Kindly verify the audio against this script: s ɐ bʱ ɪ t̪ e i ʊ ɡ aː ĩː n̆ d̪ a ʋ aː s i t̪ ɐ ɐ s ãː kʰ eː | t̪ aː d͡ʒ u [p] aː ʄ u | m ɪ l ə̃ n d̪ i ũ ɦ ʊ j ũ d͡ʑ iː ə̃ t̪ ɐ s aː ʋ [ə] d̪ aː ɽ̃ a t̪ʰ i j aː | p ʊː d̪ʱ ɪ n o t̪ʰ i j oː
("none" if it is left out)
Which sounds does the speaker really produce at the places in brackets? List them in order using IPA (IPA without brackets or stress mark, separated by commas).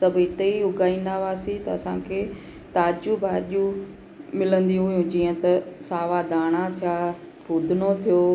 b, a